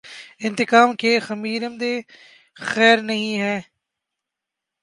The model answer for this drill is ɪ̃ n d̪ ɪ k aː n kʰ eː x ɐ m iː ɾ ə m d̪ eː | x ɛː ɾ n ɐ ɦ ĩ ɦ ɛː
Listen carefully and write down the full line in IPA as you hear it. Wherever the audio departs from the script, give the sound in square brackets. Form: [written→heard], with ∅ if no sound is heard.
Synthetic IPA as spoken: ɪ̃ n [d̪→t̪] ɪ k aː [n→m] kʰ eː x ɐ m iː ɾ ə m d̪ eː | x ɛː ɾ n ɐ ɦ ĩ ɦ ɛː

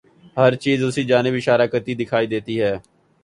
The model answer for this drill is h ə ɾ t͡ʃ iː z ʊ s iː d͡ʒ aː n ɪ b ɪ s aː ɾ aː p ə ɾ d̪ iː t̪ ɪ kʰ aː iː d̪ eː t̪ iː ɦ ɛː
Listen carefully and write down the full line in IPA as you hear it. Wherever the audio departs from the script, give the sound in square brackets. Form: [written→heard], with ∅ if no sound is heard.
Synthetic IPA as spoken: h ə ɾ t͡ʃ iː z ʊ s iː d͡ʒ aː n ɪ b ɪ [s→ʃ] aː ɾ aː [p→k] ə ɾ [d̪→t̪] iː [t̪→d̪] ɪ kʰ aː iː d̪ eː t̪ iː ɦ ɛː

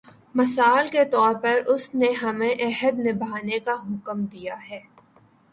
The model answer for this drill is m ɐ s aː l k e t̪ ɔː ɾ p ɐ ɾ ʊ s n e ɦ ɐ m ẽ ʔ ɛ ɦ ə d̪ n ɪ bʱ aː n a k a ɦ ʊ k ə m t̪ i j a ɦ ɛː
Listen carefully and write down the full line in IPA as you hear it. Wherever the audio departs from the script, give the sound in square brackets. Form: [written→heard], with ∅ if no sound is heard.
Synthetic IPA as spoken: m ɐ s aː l k e t̪ ɔː ɾ p ɐ ɾ ʊ s n e ɦ ɐ m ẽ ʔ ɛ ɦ ə d̪ n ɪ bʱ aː n [a→e] k a ɦ ʊ k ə m [t̪→d̪] i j a ɦ ɛː

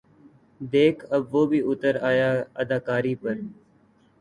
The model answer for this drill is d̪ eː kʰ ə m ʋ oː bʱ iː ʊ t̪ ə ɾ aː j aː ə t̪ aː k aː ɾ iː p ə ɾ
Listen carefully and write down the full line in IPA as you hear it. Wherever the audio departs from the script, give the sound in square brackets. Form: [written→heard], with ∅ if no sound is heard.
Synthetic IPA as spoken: d̪ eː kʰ ə [m→b] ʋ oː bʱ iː ʊ t̪ ə ɾ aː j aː ə [t̪→d̪] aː k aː ɾ iː p ə ɾ

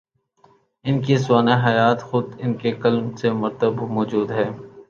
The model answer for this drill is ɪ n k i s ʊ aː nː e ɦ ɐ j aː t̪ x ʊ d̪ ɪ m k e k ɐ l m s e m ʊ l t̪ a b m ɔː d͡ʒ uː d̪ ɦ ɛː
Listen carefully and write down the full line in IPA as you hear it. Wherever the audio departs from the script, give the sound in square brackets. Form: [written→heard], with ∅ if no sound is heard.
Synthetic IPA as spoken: ɪ n k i s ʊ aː [nː→n] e ɦ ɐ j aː t̪ x ʊ d̪ ɪ [m→n] k e k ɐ l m s e m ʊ [l→ɾ] t̪ [a→ə] b m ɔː d͡ʒ uː d̪ ɦ ɛː

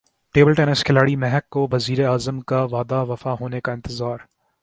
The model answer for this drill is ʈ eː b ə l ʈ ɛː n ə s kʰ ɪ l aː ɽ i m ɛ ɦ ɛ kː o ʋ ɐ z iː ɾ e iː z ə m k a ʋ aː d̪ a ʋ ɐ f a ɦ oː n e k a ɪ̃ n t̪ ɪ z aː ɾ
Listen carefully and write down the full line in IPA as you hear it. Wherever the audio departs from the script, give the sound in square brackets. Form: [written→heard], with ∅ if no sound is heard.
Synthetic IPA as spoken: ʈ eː b ə l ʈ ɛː n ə s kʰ ɪ l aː ɽ i m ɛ ɦ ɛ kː o ʋ ɐ z iː ɾ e [iː→aː] z ə m k a ʋ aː d̪ a ʋ ɐ f a ɦ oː n e k a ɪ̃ n t̪ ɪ z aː ɾ

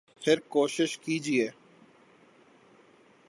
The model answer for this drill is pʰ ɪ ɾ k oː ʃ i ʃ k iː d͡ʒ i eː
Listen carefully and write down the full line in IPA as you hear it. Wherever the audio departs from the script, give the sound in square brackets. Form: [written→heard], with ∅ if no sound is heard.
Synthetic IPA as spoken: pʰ ɪ ɾ k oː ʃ [i→ɪ] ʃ k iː d͡ʒ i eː

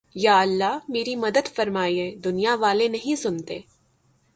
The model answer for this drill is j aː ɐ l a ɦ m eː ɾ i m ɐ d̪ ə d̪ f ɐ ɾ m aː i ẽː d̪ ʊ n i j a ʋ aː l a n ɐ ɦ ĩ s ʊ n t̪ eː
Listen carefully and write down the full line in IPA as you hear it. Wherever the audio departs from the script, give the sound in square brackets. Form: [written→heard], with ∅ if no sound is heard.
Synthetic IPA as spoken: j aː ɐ [l→lː] a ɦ m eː ɾ i m ɐ d̪ ə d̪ f ɐ ɾ m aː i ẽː d̪ ʊ n i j a ʋ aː l [a→e] n ɐ ɦ ĩ s ʊ n t̪ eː

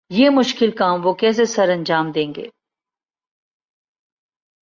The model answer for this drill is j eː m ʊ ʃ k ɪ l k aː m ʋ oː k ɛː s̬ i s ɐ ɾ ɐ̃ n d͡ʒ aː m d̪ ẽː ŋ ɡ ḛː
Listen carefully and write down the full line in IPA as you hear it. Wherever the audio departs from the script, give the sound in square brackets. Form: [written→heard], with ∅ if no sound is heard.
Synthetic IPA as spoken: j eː m ʊ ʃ k ɪ l k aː m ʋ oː k ɛː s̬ [i→e] s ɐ ɾ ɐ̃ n d͡ʒ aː m d̪ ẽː ŋ ɡ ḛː

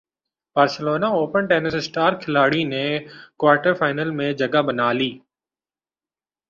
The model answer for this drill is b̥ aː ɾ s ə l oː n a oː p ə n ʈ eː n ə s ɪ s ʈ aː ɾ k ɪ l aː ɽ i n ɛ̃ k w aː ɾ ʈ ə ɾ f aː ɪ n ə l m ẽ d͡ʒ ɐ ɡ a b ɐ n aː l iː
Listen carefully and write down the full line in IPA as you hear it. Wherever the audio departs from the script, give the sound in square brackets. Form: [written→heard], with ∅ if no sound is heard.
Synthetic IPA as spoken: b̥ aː ɾ s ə l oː n a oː p ə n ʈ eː n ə s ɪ s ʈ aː ɾ [k→kʰ] ɪ l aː ɽ i n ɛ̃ k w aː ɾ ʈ ə ɾ f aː ɪ n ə l m ẽ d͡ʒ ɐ ɡ a b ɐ n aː l iː

